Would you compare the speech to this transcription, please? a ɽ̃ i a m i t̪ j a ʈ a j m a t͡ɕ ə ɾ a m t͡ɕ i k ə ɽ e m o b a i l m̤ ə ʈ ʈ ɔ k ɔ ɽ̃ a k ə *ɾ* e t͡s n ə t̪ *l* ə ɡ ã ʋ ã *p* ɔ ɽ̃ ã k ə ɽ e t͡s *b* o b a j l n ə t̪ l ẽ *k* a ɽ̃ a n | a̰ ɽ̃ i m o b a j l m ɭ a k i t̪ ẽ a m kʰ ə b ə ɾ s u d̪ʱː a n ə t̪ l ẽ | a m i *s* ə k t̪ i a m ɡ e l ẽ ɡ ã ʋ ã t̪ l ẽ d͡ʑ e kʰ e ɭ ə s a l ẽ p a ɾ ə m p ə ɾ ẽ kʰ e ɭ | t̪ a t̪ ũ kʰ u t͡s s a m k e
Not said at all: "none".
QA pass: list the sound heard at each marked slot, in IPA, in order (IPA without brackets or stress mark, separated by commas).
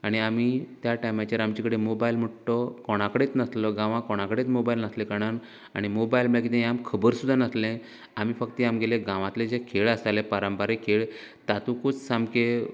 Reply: ɽ, l, k, m, k, f